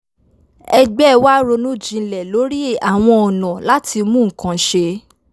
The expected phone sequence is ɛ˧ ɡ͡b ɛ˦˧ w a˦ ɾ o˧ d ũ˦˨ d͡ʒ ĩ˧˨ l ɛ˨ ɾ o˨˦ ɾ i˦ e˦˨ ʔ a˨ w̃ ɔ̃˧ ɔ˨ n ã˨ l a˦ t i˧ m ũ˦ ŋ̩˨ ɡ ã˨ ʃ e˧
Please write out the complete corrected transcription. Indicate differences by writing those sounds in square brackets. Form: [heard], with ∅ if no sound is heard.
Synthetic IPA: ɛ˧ ɡ͡b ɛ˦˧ w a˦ ɾ o˧ [n] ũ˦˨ d͡ʒ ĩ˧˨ l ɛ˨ [l] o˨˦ ɾ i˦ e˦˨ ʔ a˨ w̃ ɔ̃˧ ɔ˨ n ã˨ l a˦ t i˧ m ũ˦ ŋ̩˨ [k] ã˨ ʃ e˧